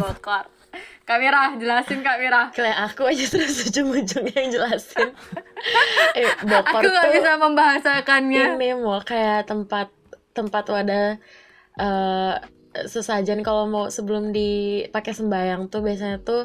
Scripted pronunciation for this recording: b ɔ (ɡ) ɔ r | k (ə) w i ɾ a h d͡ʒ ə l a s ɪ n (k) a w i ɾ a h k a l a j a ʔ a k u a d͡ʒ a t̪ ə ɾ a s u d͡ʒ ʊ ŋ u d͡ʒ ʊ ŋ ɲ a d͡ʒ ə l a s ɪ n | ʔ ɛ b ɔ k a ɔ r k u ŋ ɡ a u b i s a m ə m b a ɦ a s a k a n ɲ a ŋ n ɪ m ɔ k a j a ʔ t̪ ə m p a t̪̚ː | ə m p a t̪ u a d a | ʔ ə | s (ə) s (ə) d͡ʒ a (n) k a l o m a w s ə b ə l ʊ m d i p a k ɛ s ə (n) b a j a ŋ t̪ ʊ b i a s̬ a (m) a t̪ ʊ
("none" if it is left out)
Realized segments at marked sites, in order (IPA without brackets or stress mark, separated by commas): k, a, k, ə, a, n, m, ɲ